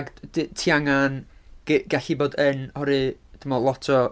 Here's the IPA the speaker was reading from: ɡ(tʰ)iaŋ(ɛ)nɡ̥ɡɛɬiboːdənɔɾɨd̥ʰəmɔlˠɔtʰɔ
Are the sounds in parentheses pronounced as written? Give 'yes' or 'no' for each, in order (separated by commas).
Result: yes, no